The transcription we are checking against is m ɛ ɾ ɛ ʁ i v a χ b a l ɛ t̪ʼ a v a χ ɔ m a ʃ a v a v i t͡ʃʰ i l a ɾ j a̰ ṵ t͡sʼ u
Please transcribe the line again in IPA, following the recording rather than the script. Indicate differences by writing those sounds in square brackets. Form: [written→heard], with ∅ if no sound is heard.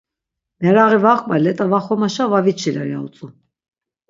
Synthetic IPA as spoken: m ɛ ɾ [ɛ→a] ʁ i v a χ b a l ɛ t̪ʼ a v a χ ɔ m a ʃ a v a v i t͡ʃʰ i l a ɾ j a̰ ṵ t͡sʼ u